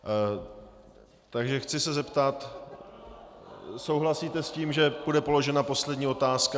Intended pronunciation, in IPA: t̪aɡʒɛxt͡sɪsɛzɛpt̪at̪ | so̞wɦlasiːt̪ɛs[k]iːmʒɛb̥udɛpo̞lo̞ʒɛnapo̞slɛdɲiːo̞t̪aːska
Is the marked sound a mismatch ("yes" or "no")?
yes